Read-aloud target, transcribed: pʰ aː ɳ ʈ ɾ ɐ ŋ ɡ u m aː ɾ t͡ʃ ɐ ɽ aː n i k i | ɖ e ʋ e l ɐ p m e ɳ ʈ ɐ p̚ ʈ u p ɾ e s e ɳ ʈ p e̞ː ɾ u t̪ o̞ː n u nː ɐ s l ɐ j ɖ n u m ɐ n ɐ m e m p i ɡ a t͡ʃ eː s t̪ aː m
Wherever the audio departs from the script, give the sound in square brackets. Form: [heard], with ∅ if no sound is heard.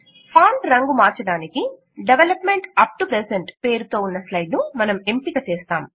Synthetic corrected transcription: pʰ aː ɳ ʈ ɾ ɐ ŋ ɡ u m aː ɾ t͡ʃ ɐ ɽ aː n i k i | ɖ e ʋ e l ɐ p m e ɳ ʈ ɐ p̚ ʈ u p ɾ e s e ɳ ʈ p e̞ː ɾ u t̪ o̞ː [∅] u nː ɐ s l ɐ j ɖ n u m ɐ n ɐ m e m p i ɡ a t͡ʃ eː s t̪ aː m